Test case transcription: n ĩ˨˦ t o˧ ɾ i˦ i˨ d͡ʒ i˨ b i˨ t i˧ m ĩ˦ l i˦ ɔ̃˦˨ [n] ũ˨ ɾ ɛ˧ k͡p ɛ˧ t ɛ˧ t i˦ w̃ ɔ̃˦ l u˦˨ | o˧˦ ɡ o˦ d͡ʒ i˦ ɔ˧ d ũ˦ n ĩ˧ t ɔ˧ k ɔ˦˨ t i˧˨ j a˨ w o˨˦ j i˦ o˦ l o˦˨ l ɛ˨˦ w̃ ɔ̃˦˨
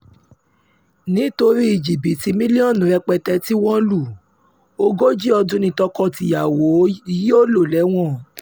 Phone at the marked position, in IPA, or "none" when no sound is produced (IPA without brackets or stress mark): n